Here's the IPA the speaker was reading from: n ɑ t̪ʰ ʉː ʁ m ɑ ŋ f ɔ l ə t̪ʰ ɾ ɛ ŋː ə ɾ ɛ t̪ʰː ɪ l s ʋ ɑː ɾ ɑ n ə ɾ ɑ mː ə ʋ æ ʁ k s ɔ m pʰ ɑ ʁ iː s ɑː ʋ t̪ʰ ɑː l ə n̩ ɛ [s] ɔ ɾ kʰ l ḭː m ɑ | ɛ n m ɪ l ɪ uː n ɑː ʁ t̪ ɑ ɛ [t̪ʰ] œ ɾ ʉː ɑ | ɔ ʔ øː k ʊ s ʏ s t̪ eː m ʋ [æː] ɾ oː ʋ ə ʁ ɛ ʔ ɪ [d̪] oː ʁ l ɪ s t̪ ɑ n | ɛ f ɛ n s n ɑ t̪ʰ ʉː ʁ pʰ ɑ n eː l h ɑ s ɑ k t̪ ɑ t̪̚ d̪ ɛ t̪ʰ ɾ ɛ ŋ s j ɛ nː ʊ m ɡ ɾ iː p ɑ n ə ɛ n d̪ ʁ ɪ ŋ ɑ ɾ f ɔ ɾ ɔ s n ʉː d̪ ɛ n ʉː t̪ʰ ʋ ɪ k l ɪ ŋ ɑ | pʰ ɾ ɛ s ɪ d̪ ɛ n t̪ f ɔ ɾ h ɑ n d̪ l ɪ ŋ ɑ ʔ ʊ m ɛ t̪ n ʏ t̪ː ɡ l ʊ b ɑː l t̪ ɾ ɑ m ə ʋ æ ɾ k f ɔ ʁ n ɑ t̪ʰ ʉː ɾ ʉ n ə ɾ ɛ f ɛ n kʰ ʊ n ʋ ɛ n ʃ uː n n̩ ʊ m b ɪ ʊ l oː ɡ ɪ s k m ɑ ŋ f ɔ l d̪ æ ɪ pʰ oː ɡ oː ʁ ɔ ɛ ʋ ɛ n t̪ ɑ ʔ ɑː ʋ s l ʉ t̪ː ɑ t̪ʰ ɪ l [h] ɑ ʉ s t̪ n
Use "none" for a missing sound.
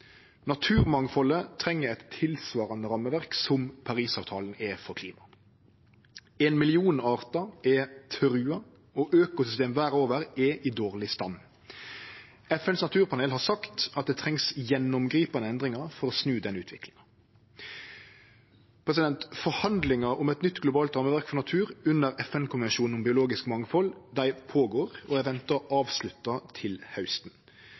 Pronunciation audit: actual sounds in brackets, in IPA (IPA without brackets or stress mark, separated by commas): f, t̪ʰ, æː, d̪, h